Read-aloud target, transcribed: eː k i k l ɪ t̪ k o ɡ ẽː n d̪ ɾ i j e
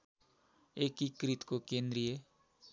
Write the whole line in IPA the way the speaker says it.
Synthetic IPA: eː k i k ɾ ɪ t̪ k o k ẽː n d̪ ɾ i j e